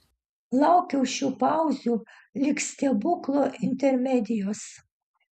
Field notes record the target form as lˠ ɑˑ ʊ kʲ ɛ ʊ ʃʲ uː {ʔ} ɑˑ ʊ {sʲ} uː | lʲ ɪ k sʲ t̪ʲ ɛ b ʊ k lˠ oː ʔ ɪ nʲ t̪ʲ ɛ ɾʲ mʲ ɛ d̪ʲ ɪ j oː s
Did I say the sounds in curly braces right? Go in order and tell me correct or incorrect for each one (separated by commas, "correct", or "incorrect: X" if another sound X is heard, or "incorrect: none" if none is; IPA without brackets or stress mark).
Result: incorrect: p, incorrect: zʲ